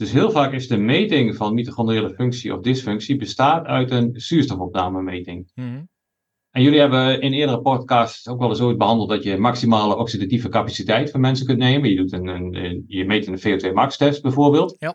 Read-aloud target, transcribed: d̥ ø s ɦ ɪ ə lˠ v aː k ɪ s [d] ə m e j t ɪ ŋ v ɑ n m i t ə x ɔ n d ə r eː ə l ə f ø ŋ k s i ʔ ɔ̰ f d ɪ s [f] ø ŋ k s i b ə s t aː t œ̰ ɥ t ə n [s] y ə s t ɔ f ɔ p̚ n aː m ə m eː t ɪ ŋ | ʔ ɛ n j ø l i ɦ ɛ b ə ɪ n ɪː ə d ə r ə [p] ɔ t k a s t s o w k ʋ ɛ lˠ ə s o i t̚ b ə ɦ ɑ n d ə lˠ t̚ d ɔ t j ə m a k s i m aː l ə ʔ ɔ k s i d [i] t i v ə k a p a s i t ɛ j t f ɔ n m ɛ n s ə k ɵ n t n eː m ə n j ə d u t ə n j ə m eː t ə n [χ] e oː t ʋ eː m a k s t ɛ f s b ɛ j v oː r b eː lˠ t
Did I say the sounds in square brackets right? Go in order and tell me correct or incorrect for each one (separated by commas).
correct, correct, correct, correct, incorrect, incorrect